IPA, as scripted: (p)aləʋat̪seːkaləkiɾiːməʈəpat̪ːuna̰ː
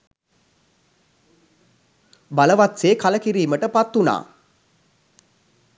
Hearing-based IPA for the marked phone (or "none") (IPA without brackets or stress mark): b